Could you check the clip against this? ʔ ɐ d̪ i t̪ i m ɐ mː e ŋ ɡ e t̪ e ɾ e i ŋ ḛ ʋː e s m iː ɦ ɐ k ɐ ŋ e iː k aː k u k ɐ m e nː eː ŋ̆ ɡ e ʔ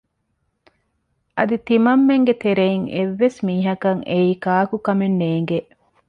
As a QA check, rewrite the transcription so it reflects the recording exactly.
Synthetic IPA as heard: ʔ ɐ d̪ i t̪ i m ɐ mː e ŋ ɡ e t̪ e ɾ e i ŋ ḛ ʋː e s m iː ɦ ɐ k ɐ ŋ e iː k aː k u k ɐ m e nː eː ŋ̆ ɡ e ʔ